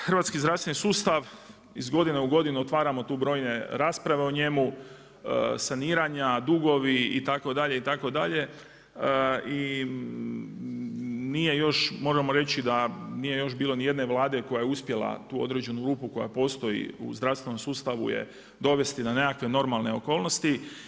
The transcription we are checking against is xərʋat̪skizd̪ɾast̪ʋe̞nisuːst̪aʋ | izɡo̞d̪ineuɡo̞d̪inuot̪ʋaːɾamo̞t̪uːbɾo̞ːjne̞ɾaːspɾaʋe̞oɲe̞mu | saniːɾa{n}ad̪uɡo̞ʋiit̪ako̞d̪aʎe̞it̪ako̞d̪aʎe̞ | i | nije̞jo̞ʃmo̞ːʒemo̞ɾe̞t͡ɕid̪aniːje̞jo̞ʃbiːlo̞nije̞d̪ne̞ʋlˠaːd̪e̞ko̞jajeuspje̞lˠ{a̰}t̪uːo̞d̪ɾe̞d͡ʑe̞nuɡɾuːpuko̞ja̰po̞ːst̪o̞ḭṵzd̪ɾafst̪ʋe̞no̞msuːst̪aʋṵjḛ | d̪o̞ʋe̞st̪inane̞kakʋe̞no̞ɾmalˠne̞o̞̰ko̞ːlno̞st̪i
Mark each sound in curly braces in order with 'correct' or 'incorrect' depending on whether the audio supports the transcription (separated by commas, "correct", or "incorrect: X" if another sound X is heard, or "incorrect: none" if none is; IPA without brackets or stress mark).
incorrect: ɲ, correct